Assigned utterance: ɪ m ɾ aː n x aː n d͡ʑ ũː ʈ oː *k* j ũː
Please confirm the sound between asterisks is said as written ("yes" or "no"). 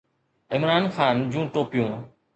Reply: no